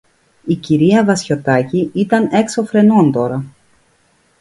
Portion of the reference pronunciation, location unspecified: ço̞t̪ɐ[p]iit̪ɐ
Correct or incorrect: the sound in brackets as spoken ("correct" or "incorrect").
incorrect